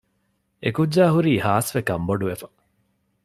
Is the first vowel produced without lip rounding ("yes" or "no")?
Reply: yes